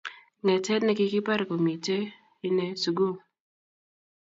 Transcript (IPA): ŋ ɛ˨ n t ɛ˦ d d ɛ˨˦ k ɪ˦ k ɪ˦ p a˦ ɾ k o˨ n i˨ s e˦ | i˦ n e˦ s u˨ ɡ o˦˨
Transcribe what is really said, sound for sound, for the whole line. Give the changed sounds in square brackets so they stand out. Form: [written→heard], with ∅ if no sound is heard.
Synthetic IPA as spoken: ŋ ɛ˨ [n→∅] t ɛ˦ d [d→n] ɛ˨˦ k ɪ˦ k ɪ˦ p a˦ ɾ k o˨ [n→m] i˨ [s→t] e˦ | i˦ n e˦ s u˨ ɡ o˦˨